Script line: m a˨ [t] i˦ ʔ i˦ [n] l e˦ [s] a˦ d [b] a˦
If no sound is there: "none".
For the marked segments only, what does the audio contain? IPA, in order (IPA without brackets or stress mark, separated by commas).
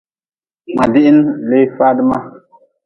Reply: d, n, f, m